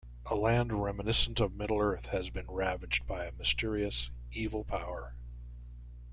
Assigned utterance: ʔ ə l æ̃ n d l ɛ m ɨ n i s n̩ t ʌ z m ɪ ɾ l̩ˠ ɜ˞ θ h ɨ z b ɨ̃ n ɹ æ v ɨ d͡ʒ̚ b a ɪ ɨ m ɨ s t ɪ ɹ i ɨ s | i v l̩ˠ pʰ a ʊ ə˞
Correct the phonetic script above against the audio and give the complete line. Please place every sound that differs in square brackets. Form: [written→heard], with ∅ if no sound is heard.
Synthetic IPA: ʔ ə l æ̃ n d [l→ɹ] ɛ m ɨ n [i→ɪ] s n̩ t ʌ [z→v] m ɪ ɾ l̩ˠ ɜ˞ θ h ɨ z b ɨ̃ n ɹ æ v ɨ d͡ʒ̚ b a ɪ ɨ m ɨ s t ɪ ɹ i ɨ s | i v l̩ˠ pʰ a ʊ ə˞